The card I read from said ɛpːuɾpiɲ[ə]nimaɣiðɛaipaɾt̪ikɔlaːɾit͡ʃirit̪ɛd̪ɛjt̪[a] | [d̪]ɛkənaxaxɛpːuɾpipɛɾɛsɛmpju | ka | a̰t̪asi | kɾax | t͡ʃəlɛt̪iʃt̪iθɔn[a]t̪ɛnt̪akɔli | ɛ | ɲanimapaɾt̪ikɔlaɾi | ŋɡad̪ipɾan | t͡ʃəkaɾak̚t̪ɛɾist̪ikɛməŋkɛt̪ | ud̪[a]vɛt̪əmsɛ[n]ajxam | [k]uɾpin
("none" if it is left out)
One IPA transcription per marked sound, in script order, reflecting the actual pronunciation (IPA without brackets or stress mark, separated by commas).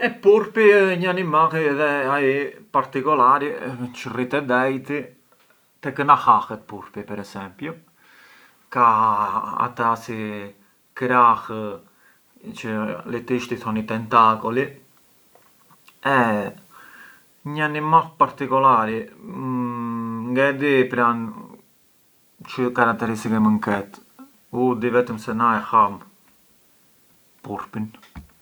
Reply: a, i, t̪, i, i, n, p